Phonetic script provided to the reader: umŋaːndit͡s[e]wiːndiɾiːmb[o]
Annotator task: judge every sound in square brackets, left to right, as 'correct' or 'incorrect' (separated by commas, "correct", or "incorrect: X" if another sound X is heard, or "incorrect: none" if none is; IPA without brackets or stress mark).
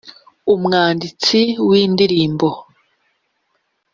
incorrect: i, correct